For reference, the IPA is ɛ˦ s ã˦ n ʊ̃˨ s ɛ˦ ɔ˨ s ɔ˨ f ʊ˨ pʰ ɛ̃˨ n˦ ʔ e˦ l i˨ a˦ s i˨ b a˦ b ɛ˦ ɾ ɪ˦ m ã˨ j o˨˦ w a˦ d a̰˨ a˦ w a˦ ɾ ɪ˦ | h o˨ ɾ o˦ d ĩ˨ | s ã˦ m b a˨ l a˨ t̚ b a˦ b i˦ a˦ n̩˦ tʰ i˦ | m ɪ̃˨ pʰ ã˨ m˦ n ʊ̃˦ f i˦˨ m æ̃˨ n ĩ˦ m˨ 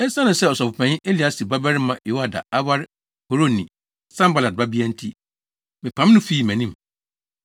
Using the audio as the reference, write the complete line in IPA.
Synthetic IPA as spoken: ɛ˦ s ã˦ n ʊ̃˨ s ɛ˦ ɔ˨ s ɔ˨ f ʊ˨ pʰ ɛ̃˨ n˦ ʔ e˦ l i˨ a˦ s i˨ b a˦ b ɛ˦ ɾ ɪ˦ m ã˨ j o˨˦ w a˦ d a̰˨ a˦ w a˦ ɾ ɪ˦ | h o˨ ɾ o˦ n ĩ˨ | s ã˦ m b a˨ l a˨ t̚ b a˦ b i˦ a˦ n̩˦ tʰ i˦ | m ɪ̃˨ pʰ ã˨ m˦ n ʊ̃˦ f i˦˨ m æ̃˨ n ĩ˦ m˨